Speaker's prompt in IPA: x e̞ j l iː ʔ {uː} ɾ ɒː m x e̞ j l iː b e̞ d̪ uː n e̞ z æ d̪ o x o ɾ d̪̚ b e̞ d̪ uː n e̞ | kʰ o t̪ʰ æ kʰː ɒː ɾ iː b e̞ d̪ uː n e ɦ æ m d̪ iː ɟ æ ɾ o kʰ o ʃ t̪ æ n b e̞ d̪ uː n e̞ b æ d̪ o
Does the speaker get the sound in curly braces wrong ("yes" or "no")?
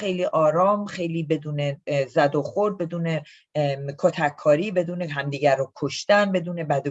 yes